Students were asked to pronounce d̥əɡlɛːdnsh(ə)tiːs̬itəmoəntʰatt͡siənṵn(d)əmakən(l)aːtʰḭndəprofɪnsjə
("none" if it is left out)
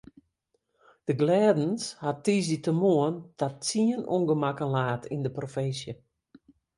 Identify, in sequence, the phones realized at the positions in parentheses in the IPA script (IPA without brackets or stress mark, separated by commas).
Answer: a, ɡ, l